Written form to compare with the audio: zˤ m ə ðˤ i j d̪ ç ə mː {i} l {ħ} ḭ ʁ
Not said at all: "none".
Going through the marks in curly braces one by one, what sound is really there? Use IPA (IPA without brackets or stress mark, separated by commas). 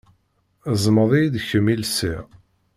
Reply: i, s